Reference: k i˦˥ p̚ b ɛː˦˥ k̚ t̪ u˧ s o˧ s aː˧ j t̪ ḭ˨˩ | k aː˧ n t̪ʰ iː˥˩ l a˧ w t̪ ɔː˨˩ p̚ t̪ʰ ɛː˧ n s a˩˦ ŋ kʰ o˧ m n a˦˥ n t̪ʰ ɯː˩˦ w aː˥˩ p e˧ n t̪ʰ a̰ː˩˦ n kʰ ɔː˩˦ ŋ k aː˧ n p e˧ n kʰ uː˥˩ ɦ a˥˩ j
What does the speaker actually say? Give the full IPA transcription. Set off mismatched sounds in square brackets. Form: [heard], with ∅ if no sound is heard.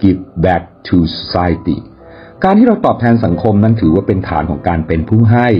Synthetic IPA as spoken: k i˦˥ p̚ b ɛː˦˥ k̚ [t̪ʰ] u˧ s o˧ s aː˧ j t̪ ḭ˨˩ | k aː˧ n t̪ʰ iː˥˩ [ɾ] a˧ w t̪ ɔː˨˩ p̚ t̪ʰ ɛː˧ n s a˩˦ ŋ kʰ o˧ m n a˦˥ n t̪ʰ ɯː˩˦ w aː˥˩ p e˧ n t̪ʰ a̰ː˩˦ n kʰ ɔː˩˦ ŋ k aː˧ n p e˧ n [pʰ] uː˥˩ ɦ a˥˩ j

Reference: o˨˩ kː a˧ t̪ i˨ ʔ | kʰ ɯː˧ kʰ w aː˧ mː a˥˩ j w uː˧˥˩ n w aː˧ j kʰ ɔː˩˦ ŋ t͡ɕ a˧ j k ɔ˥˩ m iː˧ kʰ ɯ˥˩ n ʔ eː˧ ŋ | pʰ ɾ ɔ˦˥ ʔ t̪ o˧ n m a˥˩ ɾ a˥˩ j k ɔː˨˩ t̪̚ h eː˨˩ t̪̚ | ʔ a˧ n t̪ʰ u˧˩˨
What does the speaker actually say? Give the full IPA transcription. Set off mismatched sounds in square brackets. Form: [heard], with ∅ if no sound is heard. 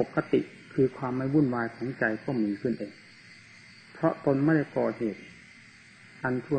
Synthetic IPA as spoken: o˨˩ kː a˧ t̪ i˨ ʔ | kʰ ɯː˧ kʰ w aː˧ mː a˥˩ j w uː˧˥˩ n w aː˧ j kʰ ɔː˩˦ ŋ t͡ɕ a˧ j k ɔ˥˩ m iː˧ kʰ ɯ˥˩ n ʔ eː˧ ŋ | pʰ ɾ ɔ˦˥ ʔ t̪ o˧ n m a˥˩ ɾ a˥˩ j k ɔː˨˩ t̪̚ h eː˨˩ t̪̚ | ʔ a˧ n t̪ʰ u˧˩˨

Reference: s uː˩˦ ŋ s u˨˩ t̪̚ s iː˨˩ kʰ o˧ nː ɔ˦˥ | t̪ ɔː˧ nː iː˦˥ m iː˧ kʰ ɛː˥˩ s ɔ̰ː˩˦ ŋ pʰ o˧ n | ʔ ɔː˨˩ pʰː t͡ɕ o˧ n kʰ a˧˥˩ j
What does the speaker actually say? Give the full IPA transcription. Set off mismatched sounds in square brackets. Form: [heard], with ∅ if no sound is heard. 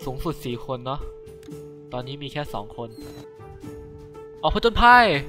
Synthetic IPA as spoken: s uː˩˦ ŋ s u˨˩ t̪̚ s iː˨˩ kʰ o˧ nː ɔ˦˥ | t̪ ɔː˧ nː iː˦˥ m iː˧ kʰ ɛː˥˩ s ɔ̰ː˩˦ ŋ [kʰ] o˧ n | ʔ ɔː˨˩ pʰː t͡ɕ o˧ n [pʰ] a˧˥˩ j

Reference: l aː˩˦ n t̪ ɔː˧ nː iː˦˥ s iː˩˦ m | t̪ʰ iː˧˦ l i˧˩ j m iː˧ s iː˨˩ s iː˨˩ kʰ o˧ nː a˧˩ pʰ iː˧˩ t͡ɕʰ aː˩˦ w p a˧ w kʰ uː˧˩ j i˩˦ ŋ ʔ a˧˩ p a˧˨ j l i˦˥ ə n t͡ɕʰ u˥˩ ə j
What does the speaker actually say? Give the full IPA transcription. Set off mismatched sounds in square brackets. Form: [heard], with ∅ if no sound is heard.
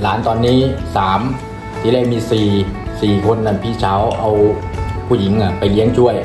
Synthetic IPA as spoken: l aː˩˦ n t̪ ɔː˧ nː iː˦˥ s [aː˩˦] m | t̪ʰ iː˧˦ l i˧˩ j m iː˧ s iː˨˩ s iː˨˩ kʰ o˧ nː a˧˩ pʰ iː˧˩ t͡ɕʰ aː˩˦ w [ʔ] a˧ w [pʰ] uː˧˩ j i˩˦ ŋ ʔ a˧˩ p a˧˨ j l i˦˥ ə [ŋ] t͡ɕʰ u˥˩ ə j

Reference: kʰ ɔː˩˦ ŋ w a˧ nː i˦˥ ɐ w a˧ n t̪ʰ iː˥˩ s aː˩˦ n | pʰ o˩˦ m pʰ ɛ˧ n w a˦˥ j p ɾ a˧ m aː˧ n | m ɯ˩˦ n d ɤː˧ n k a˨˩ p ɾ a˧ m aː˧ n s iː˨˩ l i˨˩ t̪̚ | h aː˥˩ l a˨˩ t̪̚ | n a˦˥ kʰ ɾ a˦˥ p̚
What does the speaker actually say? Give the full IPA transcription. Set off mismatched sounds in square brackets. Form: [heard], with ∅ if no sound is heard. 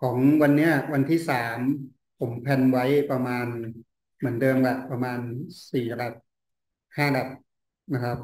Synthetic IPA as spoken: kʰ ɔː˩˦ ŋ w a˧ nː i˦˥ ɐ w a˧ n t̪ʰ iː˥˩ s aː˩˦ [m] | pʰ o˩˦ m pʰ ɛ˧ n w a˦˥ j p ɾ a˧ m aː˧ n | m ɯ˩˦ n d ɤː˧ [m] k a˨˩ p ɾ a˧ m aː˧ n s iː˨˩ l [a˨˩] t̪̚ | h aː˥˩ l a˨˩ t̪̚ | n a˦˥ kʰ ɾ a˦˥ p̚

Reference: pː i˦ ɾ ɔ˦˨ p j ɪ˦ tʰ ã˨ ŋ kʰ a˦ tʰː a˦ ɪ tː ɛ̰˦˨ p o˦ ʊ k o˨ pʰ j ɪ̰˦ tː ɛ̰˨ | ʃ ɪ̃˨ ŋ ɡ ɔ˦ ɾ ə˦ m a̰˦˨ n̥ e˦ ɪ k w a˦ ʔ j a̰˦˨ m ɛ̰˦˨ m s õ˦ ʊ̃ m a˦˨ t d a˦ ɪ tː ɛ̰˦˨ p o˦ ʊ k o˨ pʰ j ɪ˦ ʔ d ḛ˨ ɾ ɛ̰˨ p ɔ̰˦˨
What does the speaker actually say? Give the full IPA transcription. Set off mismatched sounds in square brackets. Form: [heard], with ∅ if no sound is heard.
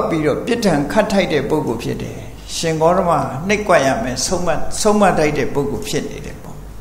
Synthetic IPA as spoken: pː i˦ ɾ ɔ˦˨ p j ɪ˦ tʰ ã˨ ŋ kʰ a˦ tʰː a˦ ɪ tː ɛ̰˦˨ p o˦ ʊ k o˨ pʰ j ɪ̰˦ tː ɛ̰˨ | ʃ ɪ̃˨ ŋ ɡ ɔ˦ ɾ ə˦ m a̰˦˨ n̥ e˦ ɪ k w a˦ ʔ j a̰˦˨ m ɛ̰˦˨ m s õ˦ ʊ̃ m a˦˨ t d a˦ ɪ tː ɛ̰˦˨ p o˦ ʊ k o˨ pʰ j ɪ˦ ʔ [n] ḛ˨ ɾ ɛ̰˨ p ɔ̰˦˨

